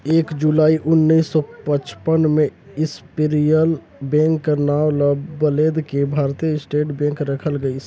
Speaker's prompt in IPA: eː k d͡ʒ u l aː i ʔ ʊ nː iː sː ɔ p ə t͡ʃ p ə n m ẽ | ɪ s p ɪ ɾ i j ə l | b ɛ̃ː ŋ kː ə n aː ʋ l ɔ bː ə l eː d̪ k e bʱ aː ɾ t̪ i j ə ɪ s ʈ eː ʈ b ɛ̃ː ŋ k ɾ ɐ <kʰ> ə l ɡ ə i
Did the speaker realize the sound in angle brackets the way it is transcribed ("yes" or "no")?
yes